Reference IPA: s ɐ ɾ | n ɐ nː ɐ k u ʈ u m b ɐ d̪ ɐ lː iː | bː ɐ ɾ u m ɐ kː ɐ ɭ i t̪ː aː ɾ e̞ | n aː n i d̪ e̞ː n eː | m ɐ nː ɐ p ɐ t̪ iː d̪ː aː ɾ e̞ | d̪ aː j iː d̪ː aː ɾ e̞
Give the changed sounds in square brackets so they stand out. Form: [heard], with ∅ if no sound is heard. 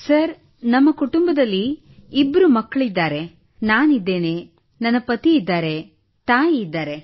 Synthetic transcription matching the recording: s ɐ ɾ | n ɐ [mː] ɐ k u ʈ u m b ɐ d̪ ɐ lː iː | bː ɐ ɾ u m ɐ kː ɐ ɭ i [d̪ː] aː ɾ e̞ | n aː n i [d̪ː] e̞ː n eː | [n] ɐ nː ɐ p ɐ t̪ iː d̪ː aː ɾ e̞ | [t̪] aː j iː d̪ː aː ɾ e̞